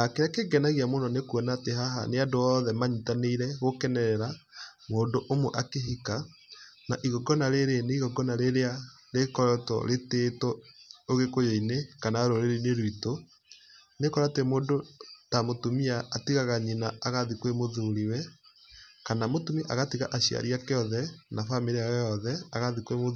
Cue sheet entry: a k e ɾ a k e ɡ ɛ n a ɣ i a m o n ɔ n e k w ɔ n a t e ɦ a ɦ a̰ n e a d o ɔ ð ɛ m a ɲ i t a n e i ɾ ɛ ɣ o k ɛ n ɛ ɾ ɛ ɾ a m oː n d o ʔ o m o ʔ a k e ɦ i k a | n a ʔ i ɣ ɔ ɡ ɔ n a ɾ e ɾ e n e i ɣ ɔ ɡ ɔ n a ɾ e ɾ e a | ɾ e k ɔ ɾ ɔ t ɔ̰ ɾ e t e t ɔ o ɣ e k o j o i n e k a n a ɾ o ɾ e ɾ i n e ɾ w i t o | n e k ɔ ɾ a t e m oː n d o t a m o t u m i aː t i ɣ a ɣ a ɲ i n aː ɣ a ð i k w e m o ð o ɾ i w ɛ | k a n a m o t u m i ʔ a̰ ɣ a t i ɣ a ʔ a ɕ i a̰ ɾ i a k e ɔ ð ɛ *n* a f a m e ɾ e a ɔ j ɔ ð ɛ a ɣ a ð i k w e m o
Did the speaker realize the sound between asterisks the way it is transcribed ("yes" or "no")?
yes